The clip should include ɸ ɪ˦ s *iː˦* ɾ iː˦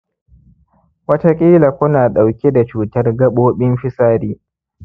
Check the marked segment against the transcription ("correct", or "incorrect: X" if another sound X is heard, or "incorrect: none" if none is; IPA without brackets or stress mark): incorrect: aː˦